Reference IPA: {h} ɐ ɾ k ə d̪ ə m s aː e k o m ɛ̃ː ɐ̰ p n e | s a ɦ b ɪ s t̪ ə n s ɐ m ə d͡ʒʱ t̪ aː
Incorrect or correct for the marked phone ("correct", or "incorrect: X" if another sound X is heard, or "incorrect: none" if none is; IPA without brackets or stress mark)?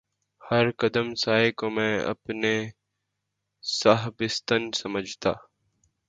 correct